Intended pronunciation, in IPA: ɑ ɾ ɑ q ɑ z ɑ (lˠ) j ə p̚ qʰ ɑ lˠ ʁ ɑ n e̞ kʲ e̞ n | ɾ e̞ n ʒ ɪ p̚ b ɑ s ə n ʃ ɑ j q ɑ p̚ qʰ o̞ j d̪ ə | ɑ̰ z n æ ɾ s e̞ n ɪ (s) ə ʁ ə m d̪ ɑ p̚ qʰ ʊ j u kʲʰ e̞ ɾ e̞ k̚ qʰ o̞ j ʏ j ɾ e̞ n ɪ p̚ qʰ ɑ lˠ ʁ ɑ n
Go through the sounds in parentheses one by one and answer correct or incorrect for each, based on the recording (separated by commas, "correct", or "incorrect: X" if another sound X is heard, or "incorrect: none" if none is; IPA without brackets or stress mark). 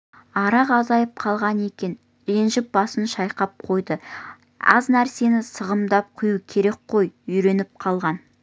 incorrect: none, correct